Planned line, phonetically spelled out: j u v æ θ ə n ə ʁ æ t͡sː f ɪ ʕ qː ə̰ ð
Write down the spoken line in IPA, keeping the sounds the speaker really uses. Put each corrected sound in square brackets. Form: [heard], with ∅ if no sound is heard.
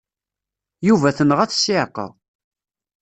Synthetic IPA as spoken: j u v æ θ ə n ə ʁ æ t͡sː [s] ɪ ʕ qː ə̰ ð